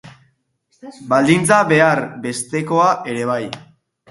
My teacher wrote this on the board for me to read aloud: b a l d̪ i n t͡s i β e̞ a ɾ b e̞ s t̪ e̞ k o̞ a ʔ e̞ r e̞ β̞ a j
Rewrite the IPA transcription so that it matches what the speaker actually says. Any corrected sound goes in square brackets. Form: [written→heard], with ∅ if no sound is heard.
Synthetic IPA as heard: b a l d̪ i n t͡s [i→a] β e̞ a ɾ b e̞ s t̪ e̞ k o̞ a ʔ e̞ [r→ɾ] e̞ β̞ a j